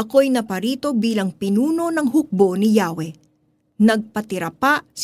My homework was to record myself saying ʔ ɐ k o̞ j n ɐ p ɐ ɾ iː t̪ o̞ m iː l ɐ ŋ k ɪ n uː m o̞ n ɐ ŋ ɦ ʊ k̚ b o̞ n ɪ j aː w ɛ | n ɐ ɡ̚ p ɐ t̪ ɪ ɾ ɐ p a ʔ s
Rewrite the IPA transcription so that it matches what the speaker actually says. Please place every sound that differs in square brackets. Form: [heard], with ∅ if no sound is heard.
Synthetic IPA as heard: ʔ ɐ k o̞ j n ɐ p ɐ ɾ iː t̪ o̞ [b] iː l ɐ ŋ [p] ɪ n uː [n] o̞ n ɐ ŋ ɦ ʊ k̚ b o̞ n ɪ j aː w ɛ | n ɐ ɡ̚ p ɐ t̪ ɪ ɾ ɐ p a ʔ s